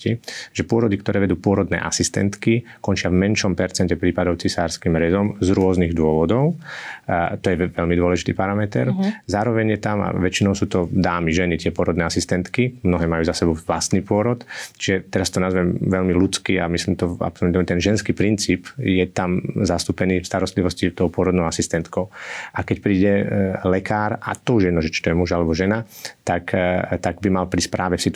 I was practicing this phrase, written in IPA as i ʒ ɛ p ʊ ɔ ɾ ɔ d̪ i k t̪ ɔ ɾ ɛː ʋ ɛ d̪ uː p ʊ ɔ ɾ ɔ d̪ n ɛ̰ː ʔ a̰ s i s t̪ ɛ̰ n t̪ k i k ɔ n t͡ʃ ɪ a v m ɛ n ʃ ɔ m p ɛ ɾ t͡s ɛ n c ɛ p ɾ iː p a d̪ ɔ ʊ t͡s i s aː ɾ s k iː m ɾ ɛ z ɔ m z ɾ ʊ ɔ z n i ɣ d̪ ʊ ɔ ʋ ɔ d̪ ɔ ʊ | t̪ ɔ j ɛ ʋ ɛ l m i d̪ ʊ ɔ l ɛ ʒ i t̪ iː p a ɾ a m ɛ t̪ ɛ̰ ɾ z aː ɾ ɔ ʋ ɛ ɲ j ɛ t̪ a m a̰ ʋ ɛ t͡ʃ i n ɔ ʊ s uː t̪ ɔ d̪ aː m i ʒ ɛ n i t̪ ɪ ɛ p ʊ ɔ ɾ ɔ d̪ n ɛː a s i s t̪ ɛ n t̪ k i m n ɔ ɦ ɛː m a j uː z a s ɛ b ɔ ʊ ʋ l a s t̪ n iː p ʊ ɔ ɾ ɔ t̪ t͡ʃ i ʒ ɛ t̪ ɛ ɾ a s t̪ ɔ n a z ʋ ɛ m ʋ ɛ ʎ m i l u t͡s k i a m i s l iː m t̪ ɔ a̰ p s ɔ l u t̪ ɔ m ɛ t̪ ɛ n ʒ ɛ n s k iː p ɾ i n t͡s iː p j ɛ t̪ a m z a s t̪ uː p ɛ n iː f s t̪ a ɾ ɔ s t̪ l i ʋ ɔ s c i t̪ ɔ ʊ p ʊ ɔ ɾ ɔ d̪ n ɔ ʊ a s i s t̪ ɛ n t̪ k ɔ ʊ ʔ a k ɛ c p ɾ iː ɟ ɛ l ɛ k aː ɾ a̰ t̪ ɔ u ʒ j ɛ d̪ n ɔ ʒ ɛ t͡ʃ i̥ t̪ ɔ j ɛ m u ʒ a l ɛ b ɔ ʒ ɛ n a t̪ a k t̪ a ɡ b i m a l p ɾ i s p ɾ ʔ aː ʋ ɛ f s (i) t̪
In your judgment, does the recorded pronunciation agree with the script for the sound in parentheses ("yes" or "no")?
yes